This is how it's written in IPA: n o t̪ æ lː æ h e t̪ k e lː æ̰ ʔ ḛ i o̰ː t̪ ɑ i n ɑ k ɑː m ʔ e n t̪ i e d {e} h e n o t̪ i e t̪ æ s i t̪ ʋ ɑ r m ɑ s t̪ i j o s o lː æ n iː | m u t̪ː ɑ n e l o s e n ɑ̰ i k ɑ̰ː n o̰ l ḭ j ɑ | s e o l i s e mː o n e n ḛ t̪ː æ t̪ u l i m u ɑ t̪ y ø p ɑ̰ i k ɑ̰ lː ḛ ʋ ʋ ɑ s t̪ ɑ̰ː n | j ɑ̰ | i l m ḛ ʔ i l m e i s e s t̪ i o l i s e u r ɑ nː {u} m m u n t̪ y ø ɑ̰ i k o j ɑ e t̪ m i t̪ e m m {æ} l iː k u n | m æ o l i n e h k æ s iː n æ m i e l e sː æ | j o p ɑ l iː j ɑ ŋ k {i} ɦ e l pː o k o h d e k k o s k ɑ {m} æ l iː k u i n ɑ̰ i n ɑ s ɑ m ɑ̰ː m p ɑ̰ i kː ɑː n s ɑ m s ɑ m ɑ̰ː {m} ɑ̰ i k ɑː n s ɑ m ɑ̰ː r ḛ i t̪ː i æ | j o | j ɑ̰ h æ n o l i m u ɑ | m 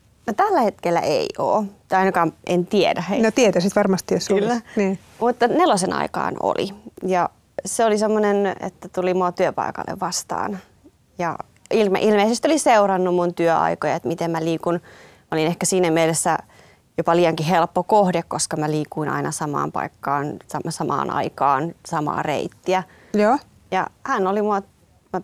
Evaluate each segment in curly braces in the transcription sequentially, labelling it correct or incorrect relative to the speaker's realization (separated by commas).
incorrect, correct, correct, correct, correct, incorrect